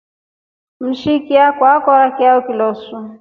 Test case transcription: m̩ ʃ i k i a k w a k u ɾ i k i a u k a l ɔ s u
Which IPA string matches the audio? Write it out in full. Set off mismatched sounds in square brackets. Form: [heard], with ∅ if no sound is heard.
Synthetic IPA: m̩ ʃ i k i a k w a k [ɔ] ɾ [a] k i a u k [i] l ɔ s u

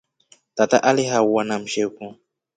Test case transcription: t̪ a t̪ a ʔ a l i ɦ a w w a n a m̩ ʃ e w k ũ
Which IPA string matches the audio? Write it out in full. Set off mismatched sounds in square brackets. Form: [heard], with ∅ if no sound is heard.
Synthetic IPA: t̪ a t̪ a ʔ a l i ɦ a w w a n a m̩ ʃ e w k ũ

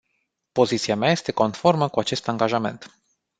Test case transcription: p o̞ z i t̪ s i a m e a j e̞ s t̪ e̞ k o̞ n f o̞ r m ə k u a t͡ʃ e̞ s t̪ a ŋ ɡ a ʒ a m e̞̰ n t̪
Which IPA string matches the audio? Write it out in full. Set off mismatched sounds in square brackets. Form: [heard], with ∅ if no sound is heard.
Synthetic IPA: p o̞ z i t̪ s i a m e a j e̞ s t̪ e̞ k o̞ n f o̞ r m ə k u a t͡ʃ e̞ s t̪ a ŋ ɡ a ʒ a m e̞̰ n t̪

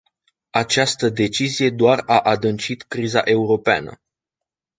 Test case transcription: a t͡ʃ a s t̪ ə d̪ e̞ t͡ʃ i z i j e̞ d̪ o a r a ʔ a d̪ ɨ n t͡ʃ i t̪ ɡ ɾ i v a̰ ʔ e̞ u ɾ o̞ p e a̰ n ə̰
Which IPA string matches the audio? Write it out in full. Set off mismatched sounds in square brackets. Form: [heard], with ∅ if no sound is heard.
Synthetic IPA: a t͡ʃ a s t̪ ə d̪ e̞ t͡ʃ i z i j e̞ d̪ o a r a ʔ a d̪ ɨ n t͡ʃ i t̪ [k] ɾ i [z] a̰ ʔ e̞ u ɾ o̞ p e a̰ n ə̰

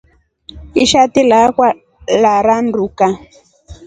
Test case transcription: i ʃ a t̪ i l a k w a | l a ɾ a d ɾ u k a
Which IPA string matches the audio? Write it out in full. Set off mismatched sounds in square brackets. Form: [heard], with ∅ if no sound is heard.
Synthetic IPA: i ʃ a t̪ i l a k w a | l a ɾ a [n] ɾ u k a

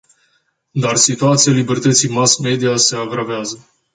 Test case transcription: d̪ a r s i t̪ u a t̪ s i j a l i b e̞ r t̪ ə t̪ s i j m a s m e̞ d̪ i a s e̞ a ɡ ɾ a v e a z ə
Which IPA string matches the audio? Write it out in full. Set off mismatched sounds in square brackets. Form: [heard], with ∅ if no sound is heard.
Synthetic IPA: d̪ a r s i t̪ u a t̪ s i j a l i b e̞ r t̪ ə t̪ s i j m a s m e̞ d̪ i a s e̞ a ɡ ɾ a v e a z ə

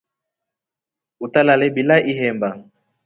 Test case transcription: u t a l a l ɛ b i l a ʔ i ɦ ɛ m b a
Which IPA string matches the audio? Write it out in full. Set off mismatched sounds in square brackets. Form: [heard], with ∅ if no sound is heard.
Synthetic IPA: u t a l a l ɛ b i l a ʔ i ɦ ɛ m b a

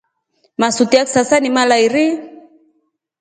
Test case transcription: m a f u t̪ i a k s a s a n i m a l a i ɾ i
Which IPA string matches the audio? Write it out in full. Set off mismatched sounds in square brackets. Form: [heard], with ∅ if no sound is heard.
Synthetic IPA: m a [s] u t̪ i a k s a s a n i m a l a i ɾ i

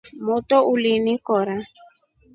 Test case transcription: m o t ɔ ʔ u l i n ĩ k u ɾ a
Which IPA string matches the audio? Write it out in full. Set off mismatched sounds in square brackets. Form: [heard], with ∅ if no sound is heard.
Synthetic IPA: m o t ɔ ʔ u l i n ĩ k [ɔ] ɾ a

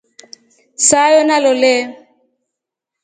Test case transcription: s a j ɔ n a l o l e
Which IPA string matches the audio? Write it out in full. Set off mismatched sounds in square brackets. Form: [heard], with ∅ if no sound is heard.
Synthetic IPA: s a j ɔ n a l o l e

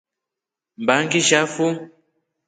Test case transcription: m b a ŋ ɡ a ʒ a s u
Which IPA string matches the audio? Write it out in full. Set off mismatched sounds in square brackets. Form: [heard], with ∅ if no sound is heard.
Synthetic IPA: m b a ŋ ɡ [i] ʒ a [f] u

